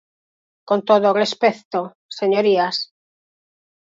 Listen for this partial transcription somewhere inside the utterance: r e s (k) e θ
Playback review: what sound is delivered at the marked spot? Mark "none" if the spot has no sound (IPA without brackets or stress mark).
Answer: p